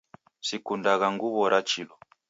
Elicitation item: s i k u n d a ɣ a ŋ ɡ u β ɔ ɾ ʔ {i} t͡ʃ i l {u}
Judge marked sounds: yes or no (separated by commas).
no, no